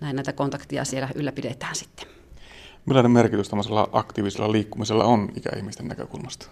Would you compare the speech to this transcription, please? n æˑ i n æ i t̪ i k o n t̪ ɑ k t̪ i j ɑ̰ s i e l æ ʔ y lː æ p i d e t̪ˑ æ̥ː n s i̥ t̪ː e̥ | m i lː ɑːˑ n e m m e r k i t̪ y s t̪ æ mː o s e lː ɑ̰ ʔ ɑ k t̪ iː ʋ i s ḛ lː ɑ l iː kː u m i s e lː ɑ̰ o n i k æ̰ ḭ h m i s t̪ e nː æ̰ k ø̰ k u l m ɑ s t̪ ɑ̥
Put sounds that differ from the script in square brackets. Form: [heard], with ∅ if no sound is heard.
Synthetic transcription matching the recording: n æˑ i n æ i t̪ [æ] k o n t̪ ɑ k t̪ i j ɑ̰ s i e l æ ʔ y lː æ p i d e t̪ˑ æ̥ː n s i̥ t̪ː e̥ | m i lː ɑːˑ n e m m e r k i t̪ y s t̪ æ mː o s e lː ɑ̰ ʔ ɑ k t̪ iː ʋ i s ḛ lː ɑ l iː kː u m i s e lː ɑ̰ o n i k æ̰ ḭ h m i s t̪ e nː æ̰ k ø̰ k u l m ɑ s t̪ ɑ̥